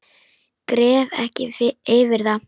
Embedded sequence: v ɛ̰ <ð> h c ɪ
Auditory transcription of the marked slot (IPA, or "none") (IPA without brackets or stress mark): none